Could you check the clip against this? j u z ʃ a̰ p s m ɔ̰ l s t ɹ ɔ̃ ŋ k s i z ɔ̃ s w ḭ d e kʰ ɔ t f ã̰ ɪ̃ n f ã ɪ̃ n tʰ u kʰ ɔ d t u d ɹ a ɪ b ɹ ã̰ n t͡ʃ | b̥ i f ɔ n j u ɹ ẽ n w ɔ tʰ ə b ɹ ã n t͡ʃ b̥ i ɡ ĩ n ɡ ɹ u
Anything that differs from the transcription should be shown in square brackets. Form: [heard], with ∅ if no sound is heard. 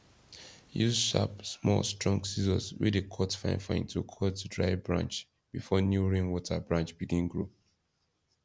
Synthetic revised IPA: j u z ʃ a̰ p s m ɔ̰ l s t ɹ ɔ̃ ŋ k s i z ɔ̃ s w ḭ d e kʰ ɔ t f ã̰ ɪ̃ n f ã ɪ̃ n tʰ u kʰ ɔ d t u d ɹ a ɪ b ɹ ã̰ n t͡ʃ | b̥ i f ɔ n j u ɹ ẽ n w ɔ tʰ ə b ɹ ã n t͡ʃ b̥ i ɡ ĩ n ɡ ɹ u

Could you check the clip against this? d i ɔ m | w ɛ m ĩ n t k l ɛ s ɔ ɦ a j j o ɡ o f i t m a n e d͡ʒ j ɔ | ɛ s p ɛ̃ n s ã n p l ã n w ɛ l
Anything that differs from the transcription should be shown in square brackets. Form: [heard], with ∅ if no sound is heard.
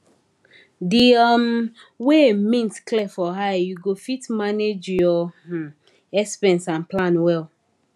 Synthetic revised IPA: d i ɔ m | w [e] m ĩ n t k l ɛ [f] ɔ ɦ a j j [u] ɡ o f i t m a n e d͡ʒ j ɔ | ɛ s p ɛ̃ n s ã n p l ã n w ɛ l

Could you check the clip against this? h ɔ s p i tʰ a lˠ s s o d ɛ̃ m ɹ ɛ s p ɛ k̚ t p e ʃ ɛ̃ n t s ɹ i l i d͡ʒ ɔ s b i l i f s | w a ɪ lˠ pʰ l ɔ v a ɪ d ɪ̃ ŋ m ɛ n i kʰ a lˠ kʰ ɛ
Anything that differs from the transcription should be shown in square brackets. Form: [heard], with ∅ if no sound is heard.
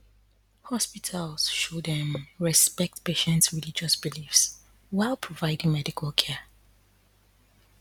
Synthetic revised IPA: h ɔ s p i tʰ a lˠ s [ʃ] o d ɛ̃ m ɹ ɛ s p ɛ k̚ t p e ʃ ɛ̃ n t s ɹ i l i d͡ʒ ɔ s b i l i f s | w a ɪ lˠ pʰ [ɹ] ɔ v a ɪ d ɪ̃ ŋ m ɛ [d] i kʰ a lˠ kʰ ɛ

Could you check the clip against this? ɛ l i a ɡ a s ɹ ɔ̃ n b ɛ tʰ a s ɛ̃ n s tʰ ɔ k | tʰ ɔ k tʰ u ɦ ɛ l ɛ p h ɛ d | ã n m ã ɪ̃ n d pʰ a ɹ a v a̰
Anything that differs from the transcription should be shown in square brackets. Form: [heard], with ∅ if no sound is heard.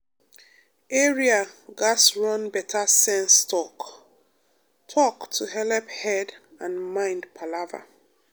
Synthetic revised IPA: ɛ [ɹ] i a ɡ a s ɹ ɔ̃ n b ɛ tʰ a s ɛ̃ n s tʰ ɔ k | tʰ ɔ k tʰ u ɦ ɛ l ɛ p h ɛ d | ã n m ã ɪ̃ n d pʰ a [l] a v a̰

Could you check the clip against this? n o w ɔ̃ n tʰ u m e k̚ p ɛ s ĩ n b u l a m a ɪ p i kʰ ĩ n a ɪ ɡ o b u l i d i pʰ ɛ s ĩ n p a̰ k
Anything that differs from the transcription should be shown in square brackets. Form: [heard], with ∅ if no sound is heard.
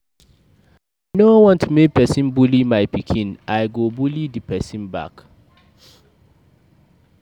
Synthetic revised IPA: n o w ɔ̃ n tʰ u m e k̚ p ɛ s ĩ n b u l [i] m a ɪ p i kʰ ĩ n a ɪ ɡ o b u l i d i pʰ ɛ s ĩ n [b] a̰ k

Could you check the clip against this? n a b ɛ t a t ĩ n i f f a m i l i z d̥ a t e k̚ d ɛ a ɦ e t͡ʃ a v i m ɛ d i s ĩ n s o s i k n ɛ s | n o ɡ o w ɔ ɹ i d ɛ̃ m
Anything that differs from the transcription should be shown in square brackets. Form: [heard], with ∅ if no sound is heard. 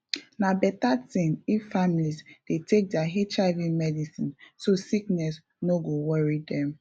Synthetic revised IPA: n a b ɛ t a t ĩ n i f f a m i l i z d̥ [e] t e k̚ d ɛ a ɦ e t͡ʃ a v i m ɛ d i s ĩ n s o s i k n ɛ s | n o ɡ o w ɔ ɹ i d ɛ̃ m

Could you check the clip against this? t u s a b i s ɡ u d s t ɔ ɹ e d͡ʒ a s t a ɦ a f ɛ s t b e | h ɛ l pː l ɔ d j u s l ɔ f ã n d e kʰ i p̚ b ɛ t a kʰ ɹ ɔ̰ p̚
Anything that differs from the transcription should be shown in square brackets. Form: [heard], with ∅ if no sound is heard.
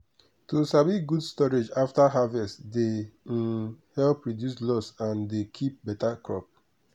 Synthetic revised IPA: t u s a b i [∅] ɡ u d s t ɔ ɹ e d͡ʒ a [f] t a ɦ a [v] ɛ s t [d] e | h ɛ l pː [ɹ] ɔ d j u s l ɔ [s] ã n d e kʰ i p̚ b ɛ t a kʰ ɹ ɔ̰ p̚

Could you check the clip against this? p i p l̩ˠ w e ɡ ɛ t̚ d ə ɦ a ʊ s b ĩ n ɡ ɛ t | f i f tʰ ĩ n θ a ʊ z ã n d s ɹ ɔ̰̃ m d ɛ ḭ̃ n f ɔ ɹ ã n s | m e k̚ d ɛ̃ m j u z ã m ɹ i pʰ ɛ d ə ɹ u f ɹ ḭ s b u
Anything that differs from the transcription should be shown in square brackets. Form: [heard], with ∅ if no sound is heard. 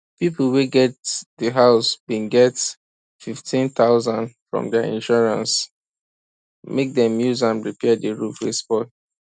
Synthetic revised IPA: p i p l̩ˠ w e ɡ ɛ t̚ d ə ɦ a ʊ s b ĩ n ɡ ɛ t | f i f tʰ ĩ n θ a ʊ z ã n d [f] ɹ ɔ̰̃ m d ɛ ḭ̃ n [ʃ] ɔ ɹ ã n s | m e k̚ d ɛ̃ m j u z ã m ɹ i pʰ ɛ d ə ɹ u f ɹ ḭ s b [ɔ]

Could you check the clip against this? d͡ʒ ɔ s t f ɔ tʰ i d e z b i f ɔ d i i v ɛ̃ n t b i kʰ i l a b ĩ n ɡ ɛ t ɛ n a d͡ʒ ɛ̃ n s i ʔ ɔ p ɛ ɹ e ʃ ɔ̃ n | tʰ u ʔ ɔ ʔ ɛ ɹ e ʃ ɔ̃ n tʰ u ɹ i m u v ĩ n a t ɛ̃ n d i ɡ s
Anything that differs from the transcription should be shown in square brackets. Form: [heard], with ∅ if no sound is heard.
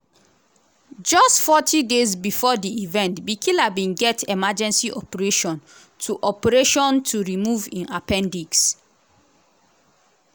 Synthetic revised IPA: d͡ʒ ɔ s t f ɔ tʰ i d e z b i f ɔ d i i v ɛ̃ n t b i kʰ i l a b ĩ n ɡ ɛ t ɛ [m] a d͡ʒ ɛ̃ n s i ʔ ɔ p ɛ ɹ e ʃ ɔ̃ n | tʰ u ʔ ɔ [p] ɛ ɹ e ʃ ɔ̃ n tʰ u ɹ i m u v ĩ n a [p] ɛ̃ n d i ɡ s

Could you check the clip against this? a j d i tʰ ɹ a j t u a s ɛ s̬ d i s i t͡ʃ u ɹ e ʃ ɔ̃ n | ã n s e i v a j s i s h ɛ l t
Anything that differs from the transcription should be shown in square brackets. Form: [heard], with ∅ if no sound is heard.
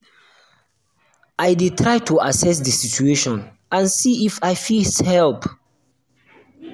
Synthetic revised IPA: a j d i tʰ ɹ a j t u a s ɛ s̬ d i s i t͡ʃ u [∅] e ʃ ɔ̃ n | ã n s [i] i [f] a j [f] i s h ɛ l [p]

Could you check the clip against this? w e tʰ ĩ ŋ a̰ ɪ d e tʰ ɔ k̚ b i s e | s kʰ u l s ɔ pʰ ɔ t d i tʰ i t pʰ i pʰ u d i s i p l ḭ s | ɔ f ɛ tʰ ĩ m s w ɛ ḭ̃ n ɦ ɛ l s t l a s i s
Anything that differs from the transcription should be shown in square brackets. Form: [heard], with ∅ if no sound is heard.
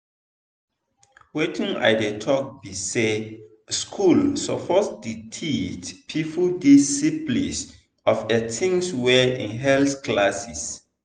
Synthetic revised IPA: w e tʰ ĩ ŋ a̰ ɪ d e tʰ ɔ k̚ b i s e | s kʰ u l s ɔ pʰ ɔ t d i tʰ i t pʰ i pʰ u d i s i p l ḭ s | ɔ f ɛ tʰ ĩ [ŋ] s w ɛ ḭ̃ n ɦ ɛ l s [k] l a s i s

